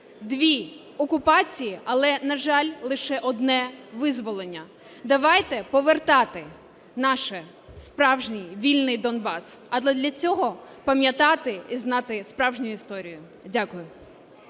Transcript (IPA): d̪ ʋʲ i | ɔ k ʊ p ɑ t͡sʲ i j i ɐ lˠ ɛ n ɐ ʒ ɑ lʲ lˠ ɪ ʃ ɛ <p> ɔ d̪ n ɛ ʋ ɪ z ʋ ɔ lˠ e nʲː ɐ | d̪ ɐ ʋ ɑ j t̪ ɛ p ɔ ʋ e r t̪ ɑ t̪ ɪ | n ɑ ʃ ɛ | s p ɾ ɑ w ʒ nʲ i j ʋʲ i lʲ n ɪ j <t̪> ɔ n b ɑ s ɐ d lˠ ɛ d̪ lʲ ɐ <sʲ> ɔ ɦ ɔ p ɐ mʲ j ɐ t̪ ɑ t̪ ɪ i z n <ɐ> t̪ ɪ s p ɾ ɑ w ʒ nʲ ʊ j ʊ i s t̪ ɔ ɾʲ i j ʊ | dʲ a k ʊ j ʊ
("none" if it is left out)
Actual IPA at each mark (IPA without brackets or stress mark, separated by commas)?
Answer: ʔ, d̪, t͡sʲ, ɑ